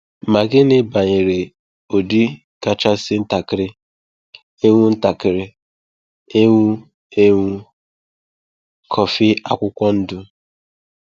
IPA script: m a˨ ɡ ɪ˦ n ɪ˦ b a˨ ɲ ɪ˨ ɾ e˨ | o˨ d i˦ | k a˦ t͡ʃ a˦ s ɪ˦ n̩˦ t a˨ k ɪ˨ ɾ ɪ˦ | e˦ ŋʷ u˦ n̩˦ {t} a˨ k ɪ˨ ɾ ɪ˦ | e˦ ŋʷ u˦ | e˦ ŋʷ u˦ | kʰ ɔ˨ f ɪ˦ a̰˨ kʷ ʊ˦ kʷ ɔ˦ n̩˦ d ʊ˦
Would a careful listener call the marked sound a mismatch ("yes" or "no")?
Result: no